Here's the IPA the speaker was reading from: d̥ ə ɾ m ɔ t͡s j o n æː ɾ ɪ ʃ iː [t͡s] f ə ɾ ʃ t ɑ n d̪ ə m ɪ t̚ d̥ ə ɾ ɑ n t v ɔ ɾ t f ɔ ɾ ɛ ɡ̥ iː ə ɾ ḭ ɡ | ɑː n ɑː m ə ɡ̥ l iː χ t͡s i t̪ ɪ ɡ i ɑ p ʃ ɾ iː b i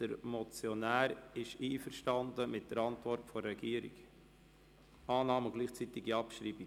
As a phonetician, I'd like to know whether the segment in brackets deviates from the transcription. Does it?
yes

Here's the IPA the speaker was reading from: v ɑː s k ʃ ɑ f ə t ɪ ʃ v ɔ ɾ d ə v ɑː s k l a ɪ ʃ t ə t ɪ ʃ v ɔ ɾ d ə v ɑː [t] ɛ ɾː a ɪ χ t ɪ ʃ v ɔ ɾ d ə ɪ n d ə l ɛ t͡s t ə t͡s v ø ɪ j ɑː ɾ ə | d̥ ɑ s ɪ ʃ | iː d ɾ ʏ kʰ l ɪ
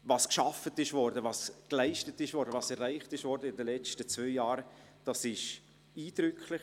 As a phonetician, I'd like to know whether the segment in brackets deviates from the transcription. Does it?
yes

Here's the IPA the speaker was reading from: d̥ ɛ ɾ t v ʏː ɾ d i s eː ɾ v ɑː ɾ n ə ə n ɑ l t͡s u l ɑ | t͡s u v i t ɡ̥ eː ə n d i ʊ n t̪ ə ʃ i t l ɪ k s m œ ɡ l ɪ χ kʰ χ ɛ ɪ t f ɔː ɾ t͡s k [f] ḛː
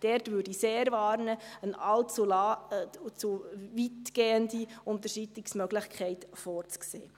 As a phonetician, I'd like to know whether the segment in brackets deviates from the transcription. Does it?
yes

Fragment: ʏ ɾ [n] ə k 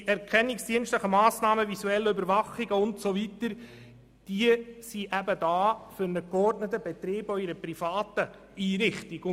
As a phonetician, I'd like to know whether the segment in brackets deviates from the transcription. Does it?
no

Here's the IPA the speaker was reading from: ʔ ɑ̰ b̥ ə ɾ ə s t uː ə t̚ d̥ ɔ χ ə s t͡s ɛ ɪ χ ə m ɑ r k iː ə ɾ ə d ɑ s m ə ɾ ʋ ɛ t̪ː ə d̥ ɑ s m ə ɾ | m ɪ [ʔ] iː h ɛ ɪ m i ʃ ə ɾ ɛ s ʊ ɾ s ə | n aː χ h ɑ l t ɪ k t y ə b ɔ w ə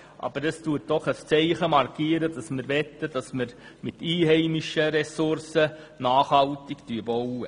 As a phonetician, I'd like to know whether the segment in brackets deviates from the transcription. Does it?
yes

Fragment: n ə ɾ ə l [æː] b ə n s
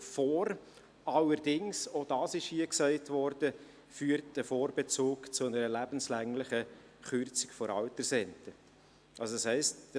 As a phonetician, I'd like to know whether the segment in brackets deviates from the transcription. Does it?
yes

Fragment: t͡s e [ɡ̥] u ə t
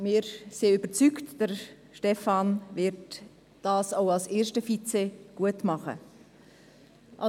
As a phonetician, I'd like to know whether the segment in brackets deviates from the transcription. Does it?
no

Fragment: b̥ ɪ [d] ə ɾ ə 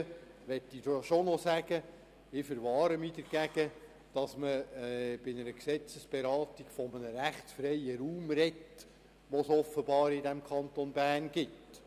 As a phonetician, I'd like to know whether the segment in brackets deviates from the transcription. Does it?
yes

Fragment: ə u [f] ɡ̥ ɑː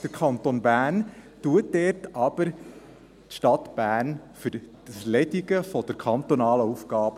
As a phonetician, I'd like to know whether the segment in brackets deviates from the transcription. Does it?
no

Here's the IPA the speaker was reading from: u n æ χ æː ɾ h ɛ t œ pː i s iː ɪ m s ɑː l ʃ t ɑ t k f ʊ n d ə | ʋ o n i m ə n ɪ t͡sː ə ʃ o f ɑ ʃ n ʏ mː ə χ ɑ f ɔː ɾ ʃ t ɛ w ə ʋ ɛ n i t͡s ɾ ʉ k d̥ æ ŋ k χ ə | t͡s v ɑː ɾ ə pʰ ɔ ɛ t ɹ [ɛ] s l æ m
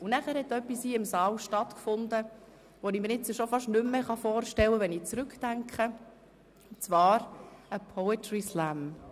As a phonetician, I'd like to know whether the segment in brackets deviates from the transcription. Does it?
yes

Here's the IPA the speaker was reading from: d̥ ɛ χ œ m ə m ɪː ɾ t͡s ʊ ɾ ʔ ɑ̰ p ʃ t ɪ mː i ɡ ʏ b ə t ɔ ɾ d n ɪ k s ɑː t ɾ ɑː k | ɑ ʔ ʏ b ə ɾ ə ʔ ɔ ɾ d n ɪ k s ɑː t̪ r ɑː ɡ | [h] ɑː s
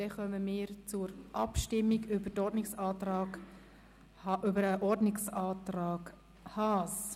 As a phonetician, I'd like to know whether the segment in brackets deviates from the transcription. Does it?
no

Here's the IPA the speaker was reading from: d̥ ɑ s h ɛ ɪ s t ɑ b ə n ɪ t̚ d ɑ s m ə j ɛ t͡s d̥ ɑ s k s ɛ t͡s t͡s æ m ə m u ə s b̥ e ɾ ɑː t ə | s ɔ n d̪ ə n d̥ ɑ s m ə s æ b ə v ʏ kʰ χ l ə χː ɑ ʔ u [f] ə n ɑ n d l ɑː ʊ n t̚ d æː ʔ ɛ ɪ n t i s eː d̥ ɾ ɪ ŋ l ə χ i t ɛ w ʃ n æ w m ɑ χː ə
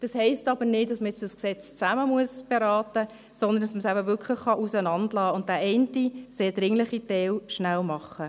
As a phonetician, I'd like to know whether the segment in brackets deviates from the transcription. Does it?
yes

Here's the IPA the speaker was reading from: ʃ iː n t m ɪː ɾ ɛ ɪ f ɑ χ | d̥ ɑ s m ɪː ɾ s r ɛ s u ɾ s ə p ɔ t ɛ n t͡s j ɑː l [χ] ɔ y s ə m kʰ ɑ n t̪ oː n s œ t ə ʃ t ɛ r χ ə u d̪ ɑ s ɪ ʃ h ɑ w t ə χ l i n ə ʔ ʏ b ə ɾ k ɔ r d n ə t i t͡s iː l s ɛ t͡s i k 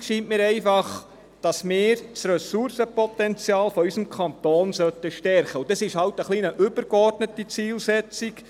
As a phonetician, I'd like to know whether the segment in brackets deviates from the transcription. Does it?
yes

